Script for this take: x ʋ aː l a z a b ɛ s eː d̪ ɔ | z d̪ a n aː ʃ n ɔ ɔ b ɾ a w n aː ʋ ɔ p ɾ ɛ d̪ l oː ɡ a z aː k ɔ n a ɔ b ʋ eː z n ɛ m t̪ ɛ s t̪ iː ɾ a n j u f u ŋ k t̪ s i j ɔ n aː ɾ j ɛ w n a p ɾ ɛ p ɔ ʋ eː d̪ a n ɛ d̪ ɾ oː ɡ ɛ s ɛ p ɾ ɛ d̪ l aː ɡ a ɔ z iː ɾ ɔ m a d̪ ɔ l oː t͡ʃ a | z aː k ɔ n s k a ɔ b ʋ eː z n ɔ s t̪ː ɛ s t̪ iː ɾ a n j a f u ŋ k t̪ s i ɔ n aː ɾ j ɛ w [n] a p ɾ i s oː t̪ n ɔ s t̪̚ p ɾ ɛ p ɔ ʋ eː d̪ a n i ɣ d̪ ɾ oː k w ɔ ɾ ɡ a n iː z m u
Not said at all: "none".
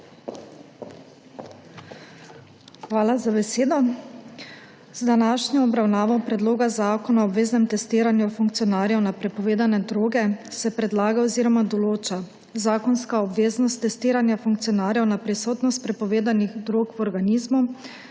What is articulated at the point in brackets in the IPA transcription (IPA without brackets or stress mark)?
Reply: n